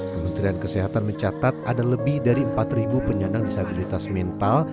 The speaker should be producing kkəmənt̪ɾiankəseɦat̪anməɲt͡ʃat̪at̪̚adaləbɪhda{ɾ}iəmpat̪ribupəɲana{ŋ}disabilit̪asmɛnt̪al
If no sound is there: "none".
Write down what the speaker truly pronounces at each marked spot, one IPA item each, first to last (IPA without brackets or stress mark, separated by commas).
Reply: ɾ, ŋ